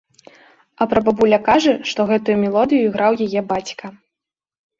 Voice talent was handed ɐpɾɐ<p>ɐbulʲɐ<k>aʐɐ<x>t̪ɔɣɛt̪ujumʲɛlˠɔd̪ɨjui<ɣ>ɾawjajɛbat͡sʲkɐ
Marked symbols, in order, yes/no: no, yes, no, yes

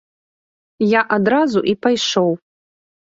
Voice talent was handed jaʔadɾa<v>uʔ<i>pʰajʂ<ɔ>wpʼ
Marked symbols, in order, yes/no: no, yes, no

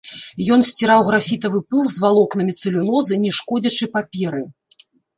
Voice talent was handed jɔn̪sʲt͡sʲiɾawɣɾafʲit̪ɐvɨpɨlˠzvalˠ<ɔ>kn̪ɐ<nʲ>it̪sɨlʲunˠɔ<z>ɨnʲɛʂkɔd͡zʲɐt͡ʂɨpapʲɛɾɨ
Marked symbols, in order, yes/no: yes, no, yes

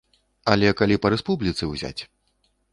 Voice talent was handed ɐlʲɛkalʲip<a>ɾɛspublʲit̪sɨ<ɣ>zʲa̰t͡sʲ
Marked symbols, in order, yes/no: no, no

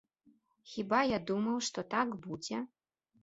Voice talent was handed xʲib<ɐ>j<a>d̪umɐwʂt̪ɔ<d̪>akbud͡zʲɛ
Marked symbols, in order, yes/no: no, yes, no

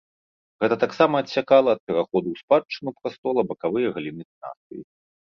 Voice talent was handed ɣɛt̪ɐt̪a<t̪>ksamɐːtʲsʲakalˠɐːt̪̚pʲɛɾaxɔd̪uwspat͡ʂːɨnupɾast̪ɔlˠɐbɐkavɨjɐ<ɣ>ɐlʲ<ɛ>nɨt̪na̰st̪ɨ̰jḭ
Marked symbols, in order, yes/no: no, yes, no

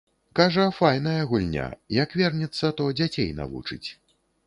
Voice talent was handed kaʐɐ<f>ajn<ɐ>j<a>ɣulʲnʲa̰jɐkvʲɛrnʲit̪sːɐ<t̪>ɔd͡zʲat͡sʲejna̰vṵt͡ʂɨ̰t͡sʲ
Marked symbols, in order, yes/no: yes, yes, no, yes

